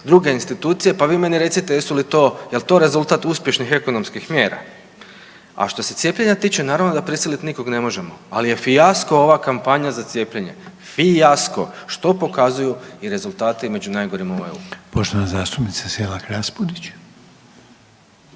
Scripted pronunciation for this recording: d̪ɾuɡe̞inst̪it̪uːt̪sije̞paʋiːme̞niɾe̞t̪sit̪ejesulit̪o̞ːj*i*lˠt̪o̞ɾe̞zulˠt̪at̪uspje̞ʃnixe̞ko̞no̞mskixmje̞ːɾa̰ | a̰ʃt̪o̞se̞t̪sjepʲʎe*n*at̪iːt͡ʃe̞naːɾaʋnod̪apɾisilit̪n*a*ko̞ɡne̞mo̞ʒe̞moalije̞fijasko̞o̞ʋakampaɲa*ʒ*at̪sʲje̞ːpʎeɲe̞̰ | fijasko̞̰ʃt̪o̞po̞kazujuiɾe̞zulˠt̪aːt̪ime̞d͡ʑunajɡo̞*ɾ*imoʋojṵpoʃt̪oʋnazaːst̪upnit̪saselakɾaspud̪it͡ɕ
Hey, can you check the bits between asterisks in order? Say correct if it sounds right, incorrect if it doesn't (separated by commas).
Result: incorrect, incorrect, incorrect, incorrect, correct